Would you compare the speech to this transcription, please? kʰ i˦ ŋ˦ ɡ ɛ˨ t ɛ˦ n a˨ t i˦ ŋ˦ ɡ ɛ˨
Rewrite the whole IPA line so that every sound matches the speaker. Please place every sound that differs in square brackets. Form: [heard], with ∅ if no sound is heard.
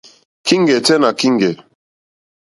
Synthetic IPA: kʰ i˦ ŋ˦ ɡ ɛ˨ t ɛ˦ n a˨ [k] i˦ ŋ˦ ɡ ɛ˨

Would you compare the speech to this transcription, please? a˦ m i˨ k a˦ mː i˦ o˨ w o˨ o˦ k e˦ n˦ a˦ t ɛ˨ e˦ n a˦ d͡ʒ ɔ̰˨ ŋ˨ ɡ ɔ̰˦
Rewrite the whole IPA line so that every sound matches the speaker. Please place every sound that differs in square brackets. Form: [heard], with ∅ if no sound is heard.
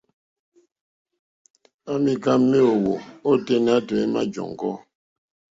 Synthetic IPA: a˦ m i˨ k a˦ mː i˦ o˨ w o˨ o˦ [t] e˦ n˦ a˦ t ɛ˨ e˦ [m] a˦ d͡ʒ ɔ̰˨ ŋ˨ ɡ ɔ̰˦

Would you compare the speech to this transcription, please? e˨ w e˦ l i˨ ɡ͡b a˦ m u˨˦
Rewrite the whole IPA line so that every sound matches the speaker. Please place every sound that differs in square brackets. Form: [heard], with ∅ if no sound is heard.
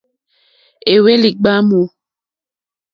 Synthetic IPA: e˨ w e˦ l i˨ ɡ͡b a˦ m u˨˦

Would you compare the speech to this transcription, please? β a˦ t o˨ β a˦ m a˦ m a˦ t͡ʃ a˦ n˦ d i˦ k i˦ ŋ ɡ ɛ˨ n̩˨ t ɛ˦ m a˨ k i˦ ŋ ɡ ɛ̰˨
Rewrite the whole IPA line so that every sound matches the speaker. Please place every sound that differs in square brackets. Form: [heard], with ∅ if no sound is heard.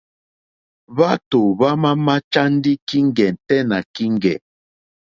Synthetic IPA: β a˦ t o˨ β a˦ m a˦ m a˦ t͡ʃ a˦ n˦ d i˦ k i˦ ŋ ɡ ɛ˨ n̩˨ t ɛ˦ [n] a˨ k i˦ ŋ ɡ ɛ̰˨

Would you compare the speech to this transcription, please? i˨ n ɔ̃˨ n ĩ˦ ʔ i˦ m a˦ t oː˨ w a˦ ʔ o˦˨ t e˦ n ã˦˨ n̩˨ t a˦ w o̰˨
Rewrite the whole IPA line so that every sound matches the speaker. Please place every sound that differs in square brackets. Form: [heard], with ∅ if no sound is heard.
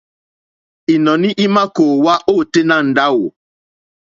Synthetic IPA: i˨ n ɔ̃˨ n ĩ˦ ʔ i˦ m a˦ [k] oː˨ w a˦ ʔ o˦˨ t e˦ n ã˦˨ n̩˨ [d] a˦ w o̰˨

